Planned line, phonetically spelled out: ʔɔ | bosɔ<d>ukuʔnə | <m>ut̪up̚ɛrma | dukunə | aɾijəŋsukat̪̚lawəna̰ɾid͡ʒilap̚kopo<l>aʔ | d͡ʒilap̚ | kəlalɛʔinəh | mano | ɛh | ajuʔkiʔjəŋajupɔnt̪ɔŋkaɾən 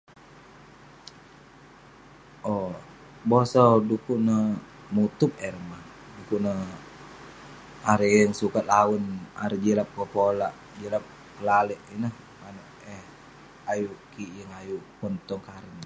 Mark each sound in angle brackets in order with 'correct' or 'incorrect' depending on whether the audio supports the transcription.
correct, correct, correct

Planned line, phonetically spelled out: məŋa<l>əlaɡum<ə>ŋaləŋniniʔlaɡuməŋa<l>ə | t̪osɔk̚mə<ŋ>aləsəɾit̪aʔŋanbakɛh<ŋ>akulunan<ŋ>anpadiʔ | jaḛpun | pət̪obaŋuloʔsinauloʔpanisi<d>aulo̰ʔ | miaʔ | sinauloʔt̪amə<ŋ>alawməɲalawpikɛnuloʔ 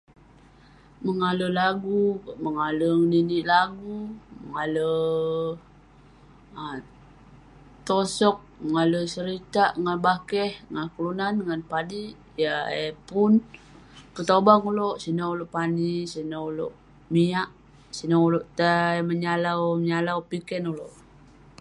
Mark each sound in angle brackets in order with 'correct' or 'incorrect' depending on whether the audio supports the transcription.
correct, correct, correct, correct, correct, correct, incorrect: n, incorrect: ɲ

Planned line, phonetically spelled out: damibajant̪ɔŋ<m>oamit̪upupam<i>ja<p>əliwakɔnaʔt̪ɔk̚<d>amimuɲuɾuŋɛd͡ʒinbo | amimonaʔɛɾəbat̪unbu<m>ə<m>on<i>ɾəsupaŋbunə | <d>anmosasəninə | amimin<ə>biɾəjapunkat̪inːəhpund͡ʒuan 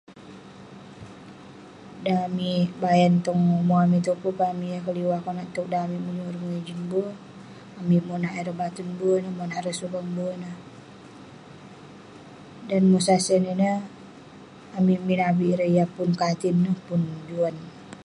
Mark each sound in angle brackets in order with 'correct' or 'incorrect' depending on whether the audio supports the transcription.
correct, correct, incorrect: k, correct, incorrect: n, correct, incorrect: a, correct, incorrect: a

